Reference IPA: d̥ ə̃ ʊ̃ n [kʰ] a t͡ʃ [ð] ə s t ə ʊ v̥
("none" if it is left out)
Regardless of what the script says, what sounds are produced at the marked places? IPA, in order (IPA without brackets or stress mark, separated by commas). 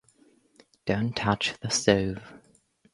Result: tʰ, ð